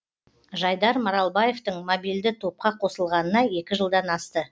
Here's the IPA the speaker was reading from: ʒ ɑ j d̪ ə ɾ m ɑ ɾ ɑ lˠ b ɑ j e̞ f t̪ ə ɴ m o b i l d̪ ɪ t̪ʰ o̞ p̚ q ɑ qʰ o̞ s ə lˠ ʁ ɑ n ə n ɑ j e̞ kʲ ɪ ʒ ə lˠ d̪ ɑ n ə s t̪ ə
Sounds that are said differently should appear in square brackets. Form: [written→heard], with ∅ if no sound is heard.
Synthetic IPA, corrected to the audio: ʒ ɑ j d̪ [ə→ɑ] ɾ m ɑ ɾ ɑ lˠ b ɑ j e̞ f t̪ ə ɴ m o b i l d̪ ɪ t̪ʰ o̞ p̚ q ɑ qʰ o̞ s ə lˠ ʁ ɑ n ə n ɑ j e̞ kʲ ɪ ʒ ə lˠ d̪ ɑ n [ə→ɑ] s t̪ ə

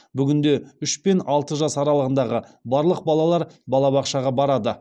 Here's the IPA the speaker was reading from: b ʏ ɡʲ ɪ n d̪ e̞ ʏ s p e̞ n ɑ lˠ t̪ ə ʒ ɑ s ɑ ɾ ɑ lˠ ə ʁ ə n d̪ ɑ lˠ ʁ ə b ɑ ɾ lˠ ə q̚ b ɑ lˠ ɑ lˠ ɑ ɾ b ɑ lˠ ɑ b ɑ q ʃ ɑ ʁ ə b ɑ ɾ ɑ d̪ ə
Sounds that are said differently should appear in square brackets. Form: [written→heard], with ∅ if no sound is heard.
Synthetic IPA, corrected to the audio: b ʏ ɡʲ ɪ n d̪ e̞ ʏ [s→ʃ] p e̞ n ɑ lˠ t̪ ə ʒ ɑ s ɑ ɾ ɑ lˠ ə ʁ ə n d̪ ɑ [lˠ→∅] ʁ ə b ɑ ɾ lˠ ə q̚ b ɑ lˠ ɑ lˠ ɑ ɾ b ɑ lˠ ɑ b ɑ q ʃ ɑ ʁ [ə→ɑ] b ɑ ɾ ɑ d̪ ə

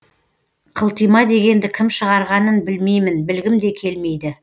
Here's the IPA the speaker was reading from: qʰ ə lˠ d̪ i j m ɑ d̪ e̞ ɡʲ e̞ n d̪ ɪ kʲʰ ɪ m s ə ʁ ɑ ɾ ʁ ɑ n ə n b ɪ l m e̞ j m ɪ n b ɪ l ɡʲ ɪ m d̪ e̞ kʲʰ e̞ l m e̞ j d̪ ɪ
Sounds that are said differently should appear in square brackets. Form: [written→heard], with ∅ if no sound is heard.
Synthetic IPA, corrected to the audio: qʰ ə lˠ [d̪→t̪] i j m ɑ d̪ e̞ ɡʲ e̞ n d̪ ɪ kʲʰ ɪ m [s→ʃ] ə ʁ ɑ ɾ ʁ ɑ n ə n b ɪ l m e̞ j m ɪ n b ɪ l ɡʲ ɪ m d̪ e̞ kʲʰ e̞ l m e̞ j d̪ ɪ

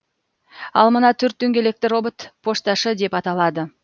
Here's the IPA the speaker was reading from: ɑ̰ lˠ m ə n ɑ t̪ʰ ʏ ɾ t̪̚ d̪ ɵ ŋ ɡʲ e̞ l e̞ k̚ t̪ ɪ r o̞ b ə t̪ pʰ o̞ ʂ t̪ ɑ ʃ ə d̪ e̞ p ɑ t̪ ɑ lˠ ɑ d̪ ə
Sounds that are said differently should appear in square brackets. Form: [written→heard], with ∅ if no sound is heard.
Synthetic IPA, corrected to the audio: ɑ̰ lˠ m ə n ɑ t̪ʰ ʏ ɾ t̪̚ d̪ ɵ ŋ ɡʲ e̞ l e̞ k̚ t̪ ɪ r o̞ b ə t̪ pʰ o̞ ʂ t̪ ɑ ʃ ə d̪ e̞ p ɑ t̪ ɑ lˠ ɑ d̪ ə

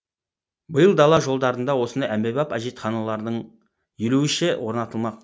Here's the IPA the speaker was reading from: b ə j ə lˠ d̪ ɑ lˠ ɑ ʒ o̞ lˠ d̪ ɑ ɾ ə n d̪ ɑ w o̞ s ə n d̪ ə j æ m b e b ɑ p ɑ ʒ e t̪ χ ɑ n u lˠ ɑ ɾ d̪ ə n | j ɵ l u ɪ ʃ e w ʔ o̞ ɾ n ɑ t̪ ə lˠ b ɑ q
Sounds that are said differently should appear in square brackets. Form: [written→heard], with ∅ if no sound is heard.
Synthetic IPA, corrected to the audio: b ə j ə lˠ d̪ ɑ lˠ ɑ ʒ o̞ lˠ d̪ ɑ ɾ ə n d̪ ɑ w o̞ s ə n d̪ [ə→ɑ] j æ m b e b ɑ p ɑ ʒ e t̪ χ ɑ n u lˠ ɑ ɾ d̪ ə [n→ɴ] | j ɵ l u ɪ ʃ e w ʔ o̞ ɾ n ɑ t̪ ə lˠ [b→m] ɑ q

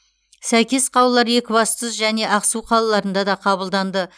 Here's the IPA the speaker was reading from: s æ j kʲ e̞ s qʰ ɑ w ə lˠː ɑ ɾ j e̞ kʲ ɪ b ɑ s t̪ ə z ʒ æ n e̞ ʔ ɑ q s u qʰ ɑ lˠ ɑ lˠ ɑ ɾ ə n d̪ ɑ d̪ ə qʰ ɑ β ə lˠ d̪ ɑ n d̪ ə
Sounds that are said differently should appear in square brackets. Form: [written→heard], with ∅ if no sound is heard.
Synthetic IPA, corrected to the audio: s æ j kʲ e̞ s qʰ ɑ w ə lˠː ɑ ɾ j e̞ kʲ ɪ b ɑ s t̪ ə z ʒ æ n e̞ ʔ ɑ q s u qʰ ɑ lˠ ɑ lˠ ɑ ɾ ə n d̪ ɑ d̪ [ə→ɑ] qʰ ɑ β ə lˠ d̪ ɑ n d̪ ə

